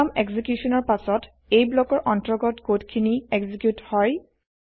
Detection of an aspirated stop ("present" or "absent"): present